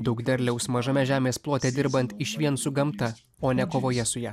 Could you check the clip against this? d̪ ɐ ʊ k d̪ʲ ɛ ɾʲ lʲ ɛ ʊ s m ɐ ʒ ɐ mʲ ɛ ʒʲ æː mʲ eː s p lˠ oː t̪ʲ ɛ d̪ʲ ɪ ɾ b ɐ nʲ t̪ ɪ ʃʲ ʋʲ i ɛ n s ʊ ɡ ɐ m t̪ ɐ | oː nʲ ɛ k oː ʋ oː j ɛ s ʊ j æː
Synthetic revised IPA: d̪ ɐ ʊ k d̪ʲ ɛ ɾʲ lʲ ɛ ʊ s m ɐ ʒ ɐ mʲ ɛ ʒʲ æː mʲ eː s p lˠ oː t̪ʲ ɛ d̪ʲ ɪ ɾ b ɐ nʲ t̪ ɪ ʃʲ ʋʲ i ɛ n s ʊ ɡ ɐ m t̪ ɐ | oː nʲ ɛ k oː ʋ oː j ɛ s ʊ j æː